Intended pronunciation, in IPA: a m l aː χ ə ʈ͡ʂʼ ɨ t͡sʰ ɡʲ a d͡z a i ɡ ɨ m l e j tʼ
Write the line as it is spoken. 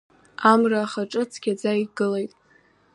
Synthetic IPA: a m r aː χ a ʈ͡ʂʼ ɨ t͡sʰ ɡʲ a d͡z a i ɡ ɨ l e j tʼ